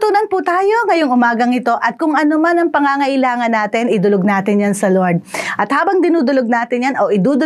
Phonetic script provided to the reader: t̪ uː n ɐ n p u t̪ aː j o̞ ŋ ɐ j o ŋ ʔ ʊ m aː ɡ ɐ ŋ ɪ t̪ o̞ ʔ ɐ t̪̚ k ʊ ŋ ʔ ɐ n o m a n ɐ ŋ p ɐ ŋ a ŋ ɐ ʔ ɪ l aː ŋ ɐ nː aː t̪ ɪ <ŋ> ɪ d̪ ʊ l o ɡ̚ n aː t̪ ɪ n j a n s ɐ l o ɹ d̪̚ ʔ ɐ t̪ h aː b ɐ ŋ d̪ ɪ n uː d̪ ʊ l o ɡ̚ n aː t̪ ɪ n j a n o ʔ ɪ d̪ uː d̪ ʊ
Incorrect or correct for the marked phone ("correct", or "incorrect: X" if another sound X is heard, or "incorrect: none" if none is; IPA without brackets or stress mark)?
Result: incorrect: n